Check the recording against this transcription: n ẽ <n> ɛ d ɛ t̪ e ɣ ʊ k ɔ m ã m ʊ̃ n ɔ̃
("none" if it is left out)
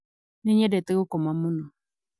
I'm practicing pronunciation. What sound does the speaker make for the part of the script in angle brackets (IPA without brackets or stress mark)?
ɲ